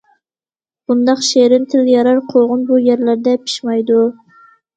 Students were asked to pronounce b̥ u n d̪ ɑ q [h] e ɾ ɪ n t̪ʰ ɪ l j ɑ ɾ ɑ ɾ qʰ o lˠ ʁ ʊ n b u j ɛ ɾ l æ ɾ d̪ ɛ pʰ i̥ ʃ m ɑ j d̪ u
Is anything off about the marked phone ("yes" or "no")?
yes